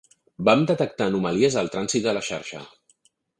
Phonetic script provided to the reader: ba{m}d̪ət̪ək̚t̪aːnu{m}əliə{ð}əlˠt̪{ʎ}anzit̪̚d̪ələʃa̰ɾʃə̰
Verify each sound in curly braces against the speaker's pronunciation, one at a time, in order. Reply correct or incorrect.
correct, correct, incorrect: z, incorrect: ɾ

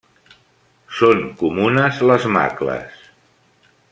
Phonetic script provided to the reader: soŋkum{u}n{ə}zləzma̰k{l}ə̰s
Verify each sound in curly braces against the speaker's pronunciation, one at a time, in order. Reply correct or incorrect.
correct, correct, correct

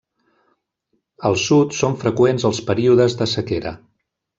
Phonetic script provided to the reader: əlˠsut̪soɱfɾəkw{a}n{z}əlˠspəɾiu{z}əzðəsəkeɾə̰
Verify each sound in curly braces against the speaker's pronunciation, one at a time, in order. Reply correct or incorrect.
incorrect: e, correct, incorrect: ð

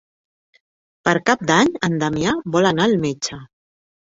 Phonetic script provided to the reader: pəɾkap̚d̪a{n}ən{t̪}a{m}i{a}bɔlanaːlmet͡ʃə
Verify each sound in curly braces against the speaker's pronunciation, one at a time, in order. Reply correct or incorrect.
incorrect: ɲ, incorrect: d̪, correct, correct

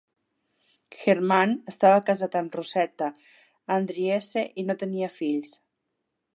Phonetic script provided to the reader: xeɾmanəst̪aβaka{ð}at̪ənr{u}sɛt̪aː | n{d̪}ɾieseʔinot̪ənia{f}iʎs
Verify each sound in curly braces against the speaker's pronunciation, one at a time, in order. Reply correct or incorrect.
incorrect: z, correct, correct, correct

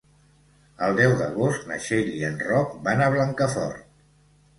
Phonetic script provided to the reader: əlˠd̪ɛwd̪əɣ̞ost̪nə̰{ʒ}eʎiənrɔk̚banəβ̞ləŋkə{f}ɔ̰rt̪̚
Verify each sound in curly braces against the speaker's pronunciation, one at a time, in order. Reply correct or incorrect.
incorrect: ʃ, correct

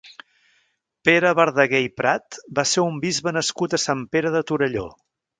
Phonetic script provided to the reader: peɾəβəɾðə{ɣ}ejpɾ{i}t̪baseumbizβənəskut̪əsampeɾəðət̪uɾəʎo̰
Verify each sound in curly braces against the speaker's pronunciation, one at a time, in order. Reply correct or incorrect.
correct, incorrect: a

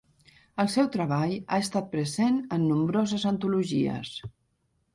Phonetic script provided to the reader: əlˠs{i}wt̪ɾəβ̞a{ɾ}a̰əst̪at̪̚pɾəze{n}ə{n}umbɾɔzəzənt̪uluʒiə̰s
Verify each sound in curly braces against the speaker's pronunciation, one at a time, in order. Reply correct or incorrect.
incorrect: ɛ, incorrect: ʎ, correct, incorrect: nː

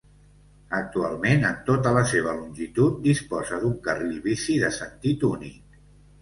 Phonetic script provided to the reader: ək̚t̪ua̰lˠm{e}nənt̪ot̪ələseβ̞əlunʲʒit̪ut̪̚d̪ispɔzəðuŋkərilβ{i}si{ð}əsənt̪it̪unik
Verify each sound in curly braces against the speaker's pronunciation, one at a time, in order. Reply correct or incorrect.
correct, correct, correct

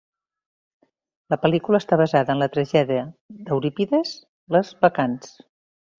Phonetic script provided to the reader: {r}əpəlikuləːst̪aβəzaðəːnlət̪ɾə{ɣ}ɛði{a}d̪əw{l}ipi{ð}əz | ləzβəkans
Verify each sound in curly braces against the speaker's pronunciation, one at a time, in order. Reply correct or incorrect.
incorrect: l, incorrect: ʒ, incorrect: ə, incorrect: ɾ, correct

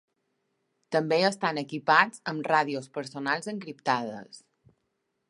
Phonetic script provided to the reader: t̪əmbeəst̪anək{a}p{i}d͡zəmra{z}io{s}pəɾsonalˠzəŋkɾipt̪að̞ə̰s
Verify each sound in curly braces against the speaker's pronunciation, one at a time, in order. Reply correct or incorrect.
incorrect: i, incorrect: a, incorrect: ð, correct

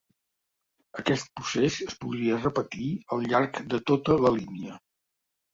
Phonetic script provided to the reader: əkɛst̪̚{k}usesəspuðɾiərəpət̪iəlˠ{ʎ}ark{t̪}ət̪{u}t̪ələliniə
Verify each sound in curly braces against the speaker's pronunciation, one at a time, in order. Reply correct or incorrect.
incorrect: p, correct, incorrect: d̪, incorrect: o

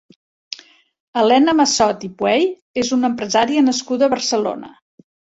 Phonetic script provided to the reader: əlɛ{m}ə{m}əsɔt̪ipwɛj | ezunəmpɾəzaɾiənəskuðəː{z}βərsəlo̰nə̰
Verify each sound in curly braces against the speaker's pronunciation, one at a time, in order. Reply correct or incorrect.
incorrect: n, correct, incorrect: none

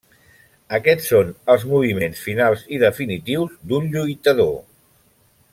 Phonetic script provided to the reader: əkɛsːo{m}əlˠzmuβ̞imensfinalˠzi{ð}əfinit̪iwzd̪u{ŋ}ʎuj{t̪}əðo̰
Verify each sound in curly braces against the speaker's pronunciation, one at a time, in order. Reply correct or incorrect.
incorrect: n, correct, incorrect: n, correct

